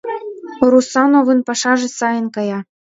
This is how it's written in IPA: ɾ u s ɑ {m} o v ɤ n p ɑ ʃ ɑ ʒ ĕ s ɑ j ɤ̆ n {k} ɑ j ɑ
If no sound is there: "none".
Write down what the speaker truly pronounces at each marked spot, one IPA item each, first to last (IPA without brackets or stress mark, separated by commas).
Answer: n, k